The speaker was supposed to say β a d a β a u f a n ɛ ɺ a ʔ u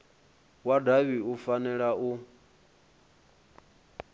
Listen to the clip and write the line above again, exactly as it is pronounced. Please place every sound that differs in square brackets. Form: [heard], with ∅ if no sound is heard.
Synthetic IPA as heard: [w] a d a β [i] u f a n ɛ ɺ a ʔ u